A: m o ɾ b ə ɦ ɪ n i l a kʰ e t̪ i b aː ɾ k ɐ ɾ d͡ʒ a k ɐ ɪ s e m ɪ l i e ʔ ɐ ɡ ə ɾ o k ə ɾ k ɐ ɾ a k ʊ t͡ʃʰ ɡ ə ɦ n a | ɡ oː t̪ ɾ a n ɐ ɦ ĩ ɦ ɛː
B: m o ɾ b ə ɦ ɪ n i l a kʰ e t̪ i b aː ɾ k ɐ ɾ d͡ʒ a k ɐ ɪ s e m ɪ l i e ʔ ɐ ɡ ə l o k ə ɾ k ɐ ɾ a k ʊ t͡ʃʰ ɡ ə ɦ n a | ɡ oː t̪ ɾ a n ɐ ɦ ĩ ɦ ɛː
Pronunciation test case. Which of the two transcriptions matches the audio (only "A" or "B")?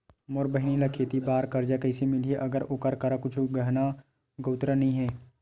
A